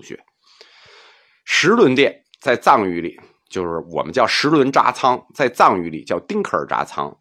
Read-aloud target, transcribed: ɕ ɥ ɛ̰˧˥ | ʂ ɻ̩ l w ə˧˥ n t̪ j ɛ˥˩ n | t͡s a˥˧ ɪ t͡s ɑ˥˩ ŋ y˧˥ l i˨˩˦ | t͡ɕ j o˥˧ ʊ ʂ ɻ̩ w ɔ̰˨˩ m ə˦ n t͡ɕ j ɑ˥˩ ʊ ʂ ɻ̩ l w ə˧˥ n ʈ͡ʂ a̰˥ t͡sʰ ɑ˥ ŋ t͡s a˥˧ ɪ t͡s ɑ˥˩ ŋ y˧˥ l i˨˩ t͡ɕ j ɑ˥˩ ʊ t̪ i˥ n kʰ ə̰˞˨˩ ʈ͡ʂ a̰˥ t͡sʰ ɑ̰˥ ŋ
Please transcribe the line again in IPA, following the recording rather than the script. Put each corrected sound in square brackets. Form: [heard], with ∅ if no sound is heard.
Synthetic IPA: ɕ ɥ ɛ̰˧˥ | ʂ ɻ̩ l w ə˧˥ n t̪ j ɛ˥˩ n | t͡s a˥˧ ɪ t͡s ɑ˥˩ ŋ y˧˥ l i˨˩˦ | t͡ɕ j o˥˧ ʊ ʂ ɻ̩ w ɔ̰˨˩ m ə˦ n t͡ɕ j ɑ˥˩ ʊ ʂ ɻ̩ l w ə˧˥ n ʈ͡ʂ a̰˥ t͡sʰ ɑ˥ ŋ t͡s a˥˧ ɪ t͡s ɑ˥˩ ŋ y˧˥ l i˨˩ t͡ɕ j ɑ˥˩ ʊ t̪ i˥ [ŋ] kʰ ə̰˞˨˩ ʈ͡ʂ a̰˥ t͡sʰ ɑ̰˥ ŋ